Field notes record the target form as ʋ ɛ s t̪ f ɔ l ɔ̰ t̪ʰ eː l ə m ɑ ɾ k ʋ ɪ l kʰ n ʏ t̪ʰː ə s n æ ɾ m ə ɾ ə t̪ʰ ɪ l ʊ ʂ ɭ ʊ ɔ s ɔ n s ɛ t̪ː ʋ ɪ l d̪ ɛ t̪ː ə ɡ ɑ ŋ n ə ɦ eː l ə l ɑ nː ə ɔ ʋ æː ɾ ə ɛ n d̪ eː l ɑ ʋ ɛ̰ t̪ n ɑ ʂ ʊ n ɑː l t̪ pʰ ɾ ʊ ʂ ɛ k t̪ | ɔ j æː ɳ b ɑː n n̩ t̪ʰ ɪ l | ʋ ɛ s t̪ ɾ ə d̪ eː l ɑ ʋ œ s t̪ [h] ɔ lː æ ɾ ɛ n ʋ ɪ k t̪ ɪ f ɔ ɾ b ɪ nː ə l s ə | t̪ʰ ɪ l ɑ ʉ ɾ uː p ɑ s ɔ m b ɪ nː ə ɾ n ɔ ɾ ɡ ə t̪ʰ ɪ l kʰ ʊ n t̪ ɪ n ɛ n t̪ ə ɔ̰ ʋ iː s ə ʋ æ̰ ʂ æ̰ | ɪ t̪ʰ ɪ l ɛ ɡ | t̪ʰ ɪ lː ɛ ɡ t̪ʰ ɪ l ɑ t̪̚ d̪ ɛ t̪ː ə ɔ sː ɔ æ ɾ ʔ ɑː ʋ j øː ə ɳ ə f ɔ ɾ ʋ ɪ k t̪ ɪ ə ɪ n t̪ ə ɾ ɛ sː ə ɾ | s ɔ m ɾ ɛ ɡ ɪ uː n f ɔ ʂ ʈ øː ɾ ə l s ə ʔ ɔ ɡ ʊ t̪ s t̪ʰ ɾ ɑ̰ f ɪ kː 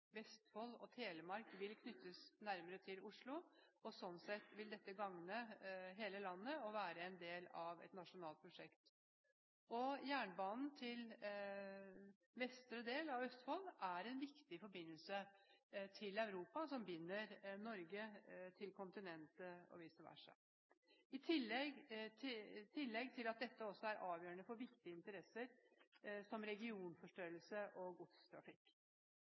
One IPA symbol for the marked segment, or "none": f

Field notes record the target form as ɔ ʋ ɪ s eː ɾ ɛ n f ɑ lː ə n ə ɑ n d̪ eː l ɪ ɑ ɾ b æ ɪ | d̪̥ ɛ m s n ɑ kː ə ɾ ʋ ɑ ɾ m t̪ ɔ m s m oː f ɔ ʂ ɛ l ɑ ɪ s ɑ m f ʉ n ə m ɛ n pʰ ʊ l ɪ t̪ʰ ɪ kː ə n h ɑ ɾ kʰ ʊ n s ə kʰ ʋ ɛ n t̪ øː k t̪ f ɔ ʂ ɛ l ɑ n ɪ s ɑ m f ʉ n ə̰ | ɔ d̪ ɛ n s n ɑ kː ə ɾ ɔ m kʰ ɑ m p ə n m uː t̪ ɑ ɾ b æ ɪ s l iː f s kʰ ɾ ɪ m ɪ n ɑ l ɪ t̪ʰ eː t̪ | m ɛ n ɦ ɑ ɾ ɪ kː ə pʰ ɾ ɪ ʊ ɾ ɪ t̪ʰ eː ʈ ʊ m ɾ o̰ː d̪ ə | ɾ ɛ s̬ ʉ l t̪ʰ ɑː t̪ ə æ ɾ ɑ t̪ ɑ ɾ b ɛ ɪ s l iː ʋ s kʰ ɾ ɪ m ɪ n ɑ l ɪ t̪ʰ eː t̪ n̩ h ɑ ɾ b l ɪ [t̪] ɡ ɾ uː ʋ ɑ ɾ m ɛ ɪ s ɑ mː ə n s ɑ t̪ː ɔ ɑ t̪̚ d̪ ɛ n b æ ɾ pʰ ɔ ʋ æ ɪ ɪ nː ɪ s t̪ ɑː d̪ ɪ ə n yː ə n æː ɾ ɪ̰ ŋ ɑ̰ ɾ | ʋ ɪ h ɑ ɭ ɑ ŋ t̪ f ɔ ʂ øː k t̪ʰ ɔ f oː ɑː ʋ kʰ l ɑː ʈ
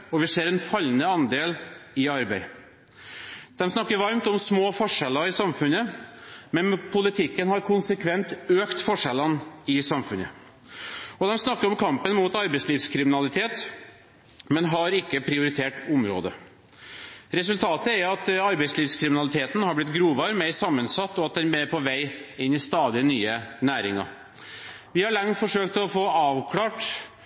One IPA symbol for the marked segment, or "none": t̪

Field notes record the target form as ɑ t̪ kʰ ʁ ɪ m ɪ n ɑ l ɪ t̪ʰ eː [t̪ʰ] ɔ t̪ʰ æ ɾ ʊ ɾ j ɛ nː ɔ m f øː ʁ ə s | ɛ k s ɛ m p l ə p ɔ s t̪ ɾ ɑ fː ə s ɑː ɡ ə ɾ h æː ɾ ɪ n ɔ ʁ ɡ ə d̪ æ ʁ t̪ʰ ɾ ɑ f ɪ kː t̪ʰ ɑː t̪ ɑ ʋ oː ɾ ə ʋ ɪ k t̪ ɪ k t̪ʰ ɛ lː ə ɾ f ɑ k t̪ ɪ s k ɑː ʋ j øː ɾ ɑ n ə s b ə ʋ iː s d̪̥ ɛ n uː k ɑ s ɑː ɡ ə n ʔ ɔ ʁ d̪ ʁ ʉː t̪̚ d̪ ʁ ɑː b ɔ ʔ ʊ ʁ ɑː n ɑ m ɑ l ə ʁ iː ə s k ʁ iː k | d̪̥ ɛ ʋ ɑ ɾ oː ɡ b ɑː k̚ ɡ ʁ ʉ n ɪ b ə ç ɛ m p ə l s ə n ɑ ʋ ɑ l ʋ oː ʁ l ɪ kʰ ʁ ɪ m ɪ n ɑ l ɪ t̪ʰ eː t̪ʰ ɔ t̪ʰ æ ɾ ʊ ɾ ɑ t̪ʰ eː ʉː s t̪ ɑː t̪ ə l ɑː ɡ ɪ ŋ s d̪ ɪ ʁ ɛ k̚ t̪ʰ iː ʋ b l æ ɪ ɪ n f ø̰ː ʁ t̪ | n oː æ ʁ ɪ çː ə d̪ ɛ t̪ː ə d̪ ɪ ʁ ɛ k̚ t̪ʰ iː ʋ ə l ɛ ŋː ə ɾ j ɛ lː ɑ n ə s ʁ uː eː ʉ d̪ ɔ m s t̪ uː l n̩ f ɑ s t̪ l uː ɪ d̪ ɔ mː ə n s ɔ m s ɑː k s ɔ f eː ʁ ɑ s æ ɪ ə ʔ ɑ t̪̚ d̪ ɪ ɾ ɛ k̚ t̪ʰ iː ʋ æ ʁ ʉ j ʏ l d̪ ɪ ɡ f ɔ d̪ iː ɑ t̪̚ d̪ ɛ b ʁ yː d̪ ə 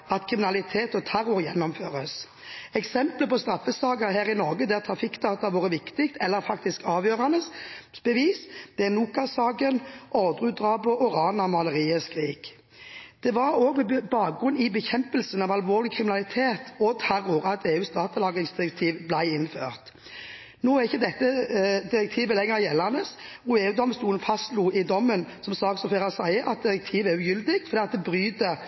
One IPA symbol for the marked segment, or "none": t̪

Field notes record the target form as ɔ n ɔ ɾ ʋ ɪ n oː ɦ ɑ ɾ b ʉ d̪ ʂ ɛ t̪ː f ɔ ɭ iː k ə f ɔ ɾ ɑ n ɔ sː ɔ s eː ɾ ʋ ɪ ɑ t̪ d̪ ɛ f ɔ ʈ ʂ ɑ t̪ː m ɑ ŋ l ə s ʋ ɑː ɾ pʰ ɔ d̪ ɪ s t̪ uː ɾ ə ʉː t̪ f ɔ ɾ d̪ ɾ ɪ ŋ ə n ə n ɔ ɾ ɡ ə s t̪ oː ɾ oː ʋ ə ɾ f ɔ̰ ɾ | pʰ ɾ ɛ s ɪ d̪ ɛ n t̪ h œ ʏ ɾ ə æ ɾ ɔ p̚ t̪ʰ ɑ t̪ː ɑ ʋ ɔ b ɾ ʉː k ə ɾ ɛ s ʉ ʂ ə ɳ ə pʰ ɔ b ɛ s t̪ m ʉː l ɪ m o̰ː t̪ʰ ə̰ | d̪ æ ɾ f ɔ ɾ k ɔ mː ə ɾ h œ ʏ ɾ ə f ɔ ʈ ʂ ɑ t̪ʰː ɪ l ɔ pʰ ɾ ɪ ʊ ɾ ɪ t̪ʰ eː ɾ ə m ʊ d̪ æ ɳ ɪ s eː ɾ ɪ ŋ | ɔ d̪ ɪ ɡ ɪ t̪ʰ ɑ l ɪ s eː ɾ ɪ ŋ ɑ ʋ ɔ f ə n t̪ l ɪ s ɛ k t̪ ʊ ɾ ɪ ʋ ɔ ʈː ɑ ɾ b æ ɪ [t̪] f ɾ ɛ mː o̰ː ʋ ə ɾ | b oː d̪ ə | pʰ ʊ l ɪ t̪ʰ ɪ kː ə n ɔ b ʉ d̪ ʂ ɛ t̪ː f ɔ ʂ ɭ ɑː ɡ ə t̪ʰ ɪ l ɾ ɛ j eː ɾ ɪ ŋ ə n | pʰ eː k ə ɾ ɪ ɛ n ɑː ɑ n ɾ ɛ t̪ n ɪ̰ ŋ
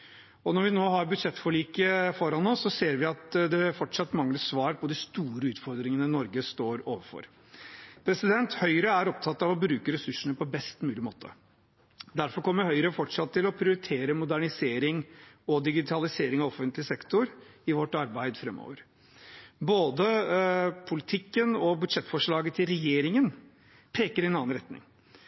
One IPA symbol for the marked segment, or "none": d̪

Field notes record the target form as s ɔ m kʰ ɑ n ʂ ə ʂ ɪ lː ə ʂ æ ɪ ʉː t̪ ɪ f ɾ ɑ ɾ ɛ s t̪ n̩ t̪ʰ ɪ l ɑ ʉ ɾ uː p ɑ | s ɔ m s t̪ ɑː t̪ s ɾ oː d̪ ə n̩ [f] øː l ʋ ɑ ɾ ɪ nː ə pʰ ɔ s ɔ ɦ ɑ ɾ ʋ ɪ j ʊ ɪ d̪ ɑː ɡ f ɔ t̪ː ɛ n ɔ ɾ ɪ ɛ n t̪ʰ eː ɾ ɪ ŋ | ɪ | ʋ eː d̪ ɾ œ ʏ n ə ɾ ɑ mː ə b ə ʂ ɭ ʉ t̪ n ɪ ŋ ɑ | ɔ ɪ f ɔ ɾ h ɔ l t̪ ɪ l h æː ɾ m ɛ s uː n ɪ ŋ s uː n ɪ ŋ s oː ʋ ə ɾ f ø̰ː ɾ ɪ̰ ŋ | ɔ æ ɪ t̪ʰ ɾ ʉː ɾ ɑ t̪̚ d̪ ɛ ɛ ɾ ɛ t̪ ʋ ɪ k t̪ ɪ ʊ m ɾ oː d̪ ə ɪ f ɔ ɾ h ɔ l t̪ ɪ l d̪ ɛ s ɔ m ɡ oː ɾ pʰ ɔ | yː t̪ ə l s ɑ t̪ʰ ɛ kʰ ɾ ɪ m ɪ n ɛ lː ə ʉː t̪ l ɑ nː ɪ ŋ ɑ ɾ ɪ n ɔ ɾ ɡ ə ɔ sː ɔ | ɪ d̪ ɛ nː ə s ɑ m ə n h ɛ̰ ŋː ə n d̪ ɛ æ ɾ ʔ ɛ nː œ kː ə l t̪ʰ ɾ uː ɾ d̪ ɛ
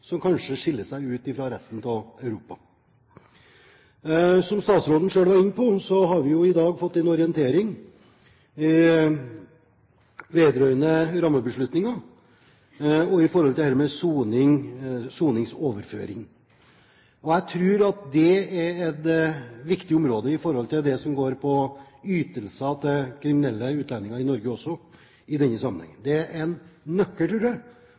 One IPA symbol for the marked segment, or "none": ʂ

